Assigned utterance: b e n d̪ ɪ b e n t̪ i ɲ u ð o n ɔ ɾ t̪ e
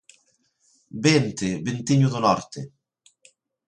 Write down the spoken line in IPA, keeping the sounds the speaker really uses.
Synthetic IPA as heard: b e n t̪ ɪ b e n t̪ i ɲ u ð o n ɔ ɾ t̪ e